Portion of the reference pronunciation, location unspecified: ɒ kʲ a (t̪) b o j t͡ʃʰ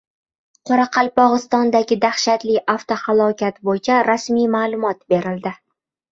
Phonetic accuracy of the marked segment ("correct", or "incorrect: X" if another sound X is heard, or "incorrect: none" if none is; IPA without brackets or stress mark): correct